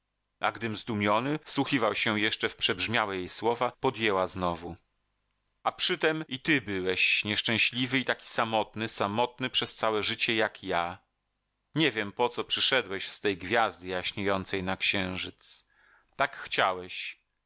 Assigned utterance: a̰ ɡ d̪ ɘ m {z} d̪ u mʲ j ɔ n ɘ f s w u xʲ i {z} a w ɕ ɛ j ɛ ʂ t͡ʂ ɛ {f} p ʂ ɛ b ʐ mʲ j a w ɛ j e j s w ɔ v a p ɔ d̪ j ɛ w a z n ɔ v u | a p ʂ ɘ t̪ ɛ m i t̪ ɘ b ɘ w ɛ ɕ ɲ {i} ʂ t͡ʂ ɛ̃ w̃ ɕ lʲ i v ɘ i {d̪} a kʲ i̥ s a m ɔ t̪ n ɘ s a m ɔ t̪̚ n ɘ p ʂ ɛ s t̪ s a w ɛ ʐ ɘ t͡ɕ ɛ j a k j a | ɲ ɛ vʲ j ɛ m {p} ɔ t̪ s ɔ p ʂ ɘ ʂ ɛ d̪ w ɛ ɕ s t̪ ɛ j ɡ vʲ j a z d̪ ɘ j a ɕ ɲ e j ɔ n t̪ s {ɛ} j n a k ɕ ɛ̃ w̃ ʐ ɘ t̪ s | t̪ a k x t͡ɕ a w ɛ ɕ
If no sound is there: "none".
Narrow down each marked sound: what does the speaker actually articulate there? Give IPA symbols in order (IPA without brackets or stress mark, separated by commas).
z, v, f, ɛ, t̪, p, ɛ